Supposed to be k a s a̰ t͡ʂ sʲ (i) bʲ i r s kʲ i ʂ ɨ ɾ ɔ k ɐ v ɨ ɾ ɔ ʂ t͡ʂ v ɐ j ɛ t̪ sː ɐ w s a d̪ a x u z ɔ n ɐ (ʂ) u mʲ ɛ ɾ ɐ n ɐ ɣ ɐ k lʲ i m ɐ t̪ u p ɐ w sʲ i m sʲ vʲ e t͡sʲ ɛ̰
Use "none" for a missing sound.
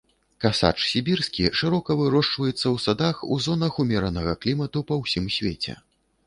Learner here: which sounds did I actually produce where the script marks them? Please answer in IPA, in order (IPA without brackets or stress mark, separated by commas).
i, x